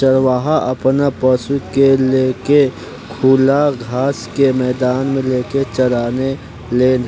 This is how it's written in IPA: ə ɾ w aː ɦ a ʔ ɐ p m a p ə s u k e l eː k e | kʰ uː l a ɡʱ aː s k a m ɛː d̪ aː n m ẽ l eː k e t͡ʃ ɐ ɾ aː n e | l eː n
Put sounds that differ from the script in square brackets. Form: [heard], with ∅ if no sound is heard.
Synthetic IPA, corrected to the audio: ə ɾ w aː ɦ a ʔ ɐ p [n] a p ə s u k e l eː k e | kʰ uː l a ɡʱ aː s k [e] m ɛː d̪ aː n m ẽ l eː k e t͡ʃ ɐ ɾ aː n e | l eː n